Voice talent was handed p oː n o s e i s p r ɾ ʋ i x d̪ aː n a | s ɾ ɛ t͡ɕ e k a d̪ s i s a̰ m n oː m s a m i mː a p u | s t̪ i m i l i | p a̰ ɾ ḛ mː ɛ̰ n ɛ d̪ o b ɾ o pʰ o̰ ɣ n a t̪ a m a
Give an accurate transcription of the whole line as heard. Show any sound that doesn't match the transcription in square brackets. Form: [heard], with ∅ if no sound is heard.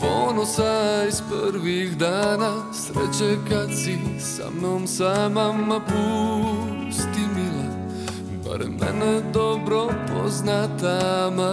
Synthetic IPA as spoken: p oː n o s [a] i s p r ɾ ʋ i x d̪ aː n a | s ɾ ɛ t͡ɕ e k a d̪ s i s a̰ m n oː m s a m [a] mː a p u | s t̪ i m i l [a] | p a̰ ɾ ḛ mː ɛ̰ n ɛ d̪ o b ɾ o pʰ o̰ [z] n a t̪ a m a